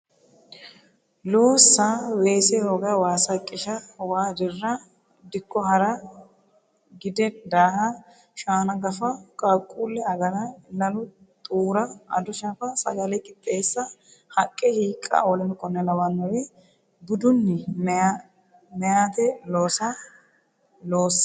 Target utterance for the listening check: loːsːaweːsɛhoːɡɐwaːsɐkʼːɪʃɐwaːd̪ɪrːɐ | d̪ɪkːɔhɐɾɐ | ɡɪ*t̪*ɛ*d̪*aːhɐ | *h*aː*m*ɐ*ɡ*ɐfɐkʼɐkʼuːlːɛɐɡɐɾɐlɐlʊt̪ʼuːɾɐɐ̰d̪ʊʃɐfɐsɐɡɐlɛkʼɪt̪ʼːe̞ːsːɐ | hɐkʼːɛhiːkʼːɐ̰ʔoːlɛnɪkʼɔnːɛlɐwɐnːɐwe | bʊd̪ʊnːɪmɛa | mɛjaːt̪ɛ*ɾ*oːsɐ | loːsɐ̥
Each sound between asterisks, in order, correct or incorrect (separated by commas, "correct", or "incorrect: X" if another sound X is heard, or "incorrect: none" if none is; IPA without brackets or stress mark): incorrect: d̪, correct, incorrect: ʃ, incorrect: n, correct, incorrect: l